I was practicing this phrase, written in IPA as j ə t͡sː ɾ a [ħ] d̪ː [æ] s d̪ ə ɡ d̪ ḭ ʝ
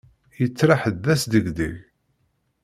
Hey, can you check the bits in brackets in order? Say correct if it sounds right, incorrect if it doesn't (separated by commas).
correct, correct